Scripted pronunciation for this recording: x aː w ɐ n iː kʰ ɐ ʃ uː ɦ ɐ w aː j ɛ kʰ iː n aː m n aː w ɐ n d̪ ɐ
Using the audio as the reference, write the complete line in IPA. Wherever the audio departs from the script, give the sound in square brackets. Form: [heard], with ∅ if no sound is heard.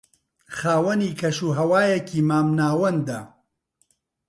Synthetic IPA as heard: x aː w ɐ n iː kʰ ɐ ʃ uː ɦ ɐ w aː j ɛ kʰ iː [m] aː m n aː w ɐ n d̪ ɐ